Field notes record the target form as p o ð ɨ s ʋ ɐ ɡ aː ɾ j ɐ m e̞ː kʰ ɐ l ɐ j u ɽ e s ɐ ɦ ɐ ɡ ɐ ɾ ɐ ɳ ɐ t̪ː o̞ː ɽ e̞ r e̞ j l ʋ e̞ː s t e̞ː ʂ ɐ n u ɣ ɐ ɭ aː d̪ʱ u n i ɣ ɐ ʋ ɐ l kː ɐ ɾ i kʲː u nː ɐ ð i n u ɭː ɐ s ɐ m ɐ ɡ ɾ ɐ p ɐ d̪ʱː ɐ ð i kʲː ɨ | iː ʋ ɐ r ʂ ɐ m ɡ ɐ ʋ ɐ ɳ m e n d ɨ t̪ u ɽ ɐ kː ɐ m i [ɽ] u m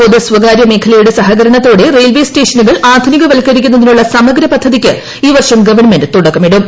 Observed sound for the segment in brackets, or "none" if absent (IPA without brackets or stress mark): ɽ